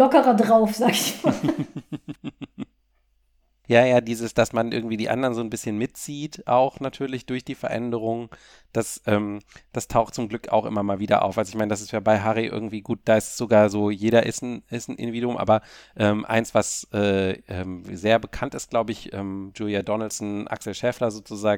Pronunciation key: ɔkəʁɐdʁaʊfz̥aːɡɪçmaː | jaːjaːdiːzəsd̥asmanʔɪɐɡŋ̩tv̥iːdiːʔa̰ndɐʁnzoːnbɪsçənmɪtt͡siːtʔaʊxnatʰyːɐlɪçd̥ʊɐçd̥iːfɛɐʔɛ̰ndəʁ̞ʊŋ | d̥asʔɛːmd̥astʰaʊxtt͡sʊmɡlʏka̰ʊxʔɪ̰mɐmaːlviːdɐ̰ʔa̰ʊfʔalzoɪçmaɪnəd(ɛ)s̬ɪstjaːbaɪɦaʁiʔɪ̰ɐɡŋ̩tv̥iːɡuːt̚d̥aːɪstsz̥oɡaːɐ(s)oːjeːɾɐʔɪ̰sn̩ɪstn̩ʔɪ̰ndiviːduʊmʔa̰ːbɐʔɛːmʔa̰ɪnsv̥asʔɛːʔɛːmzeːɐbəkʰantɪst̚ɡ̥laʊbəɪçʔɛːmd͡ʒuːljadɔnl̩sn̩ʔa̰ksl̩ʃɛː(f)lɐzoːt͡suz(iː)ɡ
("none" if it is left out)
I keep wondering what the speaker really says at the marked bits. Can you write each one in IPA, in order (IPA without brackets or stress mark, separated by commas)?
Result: a, z, f, aː